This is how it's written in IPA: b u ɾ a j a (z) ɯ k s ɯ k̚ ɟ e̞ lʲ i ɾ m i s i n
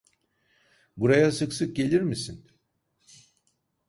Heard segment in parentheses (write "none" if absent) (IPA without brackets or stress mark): s